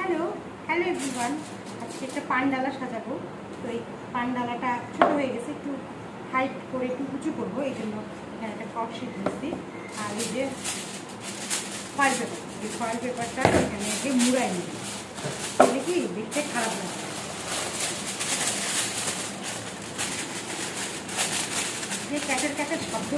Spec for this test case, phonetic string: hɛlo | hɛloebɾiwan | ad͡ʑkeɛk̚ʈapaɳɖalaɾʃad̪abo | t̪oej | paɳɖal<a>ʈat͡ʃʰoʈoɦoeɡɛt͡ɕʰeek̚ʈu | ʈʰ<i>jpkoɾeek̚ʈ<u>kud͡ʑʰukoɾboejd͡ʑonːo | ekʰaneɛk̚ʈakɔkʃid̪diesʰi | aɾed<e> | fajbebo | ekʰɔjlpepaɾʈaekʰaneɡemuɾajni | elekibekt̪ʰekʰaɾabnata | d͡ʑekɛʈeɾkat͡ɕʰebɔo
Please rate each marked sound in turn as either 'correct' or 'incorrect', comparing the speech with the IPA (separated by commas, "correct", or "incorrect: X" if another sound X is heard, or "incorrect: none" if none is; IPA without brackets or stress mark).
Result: correct, incorrect: a, correct, correct